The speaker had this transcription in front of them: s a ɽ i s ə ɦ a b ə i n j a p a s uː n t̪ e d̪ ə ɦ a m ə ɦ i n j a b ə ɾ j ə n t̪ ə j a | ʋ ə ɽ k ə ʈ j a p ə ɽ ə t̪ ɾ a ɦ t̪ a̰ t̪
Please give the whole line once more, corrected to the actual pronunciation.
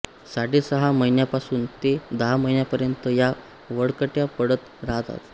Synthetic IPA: s a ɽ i s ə ɦ a m ə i n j a p a s uː n t̪ e d̪ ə ɦ a m ə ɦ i n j a p ə ɾ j ə n t̪ ə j a | ʋ ə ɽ k ə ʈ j a p ə ɽ ə t̪ ɾ a ɦ t̪ a̰ t̪